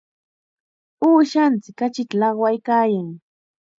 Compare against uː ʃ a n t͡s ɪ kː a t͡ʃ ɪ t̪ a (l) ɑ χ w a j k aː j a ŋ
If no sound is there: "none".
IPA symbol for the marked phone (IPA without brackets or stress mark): l